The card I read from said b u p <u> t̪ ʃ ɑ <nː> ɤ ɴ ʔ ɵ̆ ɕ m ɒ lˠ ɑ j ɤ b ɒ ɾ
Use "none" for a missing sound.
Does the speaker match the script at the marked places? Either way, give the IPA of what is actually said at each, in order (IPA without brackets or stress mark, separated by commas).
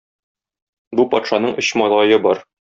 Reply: ɒ, n